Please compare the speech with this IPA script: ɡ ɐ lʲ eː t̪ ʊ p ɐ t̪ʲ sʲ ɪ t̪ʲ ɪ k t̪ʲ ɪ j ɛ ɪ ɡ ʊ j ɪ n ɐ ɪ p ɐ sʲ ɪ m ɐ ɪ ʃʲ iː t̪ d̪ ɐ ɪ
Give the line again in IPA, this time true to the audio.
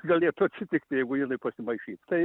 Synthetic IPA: ɡ ɐ lʲ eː t̪ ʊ ɐ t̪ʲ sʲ ɪ t̪ʲ ɪ k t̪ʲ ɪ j ɛ ɪ ɡ ʊ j ɪ n ɐ ɪ p ɐ sʲ ɪ m ɐ ɪ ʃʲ iː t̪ t̪ ɐ ɪ